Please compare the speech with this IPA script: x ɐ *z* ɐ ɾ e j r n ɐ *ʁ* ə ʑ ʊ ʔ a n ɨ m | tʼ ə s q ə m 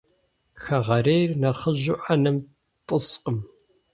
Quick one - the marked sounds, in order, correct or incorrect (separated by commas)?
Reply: incorrect, incorrect